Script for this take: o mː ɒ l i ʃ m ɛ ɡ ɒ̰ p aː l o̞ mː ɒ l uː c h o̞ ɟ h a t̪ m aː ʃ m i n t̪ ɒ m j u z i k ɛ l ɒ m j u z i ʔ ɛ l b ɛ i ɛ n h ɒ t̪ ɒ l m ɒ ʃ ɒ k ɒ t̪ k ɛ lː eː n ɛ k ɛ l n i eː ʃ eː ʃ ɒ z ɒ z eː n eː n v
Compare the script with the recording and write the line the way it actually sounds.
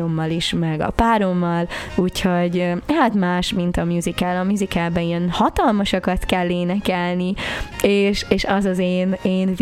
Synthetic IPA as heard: o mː ɒ l i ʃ m ɛ ɡ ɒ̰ p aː ɾ o̞ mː ɒ l uː c h o̞ ɟ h a t̪ m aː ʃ m i n t̪ ɒ m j u z i k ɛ l ɒ m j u z i k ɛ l b ɛ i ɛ n h ɒ t̪ ɒ l m ɒ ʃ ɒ k ɒ t̪ k ɛ lː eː n ɛ k ɛ l n i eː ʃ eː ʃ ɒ z ɒ z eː n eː n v